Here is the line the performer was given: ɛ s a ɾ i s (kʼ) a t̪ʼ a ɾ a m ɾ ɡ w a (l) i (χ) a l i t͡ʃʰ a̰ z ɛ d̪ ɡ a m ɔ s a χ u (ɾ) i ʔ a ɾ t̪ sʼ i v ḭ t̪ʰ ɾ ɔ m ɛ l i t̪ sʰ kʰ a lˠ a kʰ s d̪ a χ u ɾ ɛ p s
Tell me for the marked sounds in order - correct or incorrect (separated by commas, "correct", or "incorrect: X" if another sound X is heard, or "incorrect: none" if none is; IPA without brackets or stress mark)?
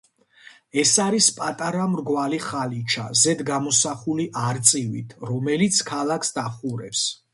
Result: incorrect: pʼ, correct, correct, incorrect: l